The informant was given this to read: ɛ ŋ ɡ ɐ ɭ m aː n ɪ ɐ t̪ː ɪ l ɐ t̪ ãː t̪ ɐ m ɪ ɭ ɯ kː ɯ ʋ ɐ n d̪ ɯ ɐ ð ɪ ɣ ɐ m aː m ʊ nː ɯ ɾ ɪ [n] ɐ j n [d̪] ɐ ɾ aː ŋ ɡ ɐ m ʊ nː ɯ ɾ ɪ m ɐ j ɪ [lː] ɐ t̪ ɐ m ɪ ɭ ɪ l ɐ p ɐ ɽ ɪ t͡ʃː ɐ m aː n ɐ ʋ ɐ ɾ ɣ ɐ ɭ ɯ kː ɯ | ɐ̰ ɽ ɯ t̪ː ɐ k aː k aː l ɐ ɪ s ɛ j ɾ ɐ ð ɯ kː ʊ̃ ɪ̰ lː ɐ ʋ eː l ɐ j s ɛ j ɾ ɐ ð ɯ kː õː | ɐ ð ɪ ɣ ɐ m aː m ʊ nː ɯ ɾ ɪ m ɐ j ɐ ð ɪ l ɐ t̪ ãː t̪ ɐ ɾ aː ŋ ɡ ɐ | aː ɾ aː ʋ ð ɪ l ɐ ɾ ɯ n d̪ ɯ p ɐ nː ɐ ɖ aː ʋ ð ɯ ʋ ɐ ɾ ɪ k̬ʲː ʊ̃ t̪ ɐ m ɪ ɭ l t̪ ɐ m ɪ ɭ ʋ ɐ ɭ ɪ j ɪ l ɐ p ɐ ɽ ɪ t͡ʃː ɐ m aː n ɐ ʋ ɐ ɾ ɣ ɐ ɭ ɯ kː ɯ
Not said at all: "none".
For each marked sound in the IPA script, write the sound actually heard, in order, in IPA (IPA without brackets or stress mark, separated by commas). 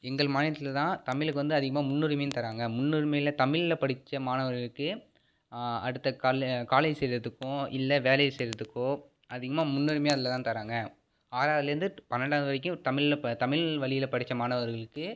m, t̪, l